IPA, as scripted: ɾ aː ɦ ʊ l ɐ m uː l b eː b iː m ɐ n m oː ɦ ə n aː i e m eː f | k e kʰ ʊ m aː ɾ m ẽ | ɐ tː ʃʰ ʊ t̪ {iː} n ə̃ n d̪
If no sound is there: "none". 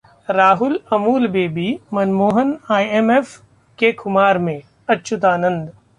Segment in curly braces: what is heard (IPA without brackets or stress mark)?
aː